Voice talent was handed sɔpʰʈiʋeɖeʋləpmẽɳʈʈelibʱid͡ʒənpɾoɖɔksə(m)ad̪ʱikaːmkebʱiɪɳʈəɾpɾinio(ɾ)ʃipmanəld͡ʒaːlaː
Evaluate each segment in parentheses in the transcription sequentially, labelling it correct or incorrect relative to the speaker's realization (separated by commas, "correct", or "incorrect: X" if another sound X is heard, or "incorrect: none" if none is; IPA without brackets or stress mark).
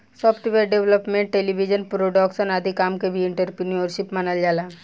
incorrect: n, correct